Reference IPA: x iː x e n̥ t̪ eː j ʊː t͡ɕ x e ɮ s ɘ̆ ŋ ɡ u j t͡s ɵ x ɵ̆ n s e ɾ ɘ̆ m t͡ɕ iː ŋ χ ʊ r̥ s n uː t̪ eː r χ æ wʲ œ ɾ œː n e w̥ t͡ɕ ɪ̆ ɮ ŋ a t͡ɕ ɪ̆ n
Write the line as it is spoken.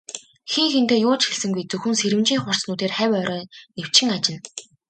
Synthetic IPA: x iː x e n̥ t̪ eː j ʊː t͡ɕ x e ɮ s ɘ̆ ŋ ɡ u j t͡s ɵ x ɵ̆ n s e ɾ ɘ̆ m t͡ɕ iː ŋ χ ʊ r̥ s n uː t̪ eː r χ æ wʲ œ ɾ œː n e w̥ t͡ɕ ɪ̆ ŋ a t͡ɕ ɪ̆ n